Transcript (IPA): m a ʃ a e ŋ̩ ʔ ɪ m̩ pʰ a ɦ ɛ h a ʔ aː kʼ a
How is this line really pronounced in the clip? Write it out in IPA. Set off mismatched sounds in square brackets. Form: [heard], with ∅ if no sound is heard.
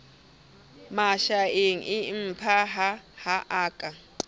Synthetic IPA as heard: m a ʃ a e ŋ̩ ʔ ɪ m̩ pʰ a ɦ [a] h a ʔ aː kʼ a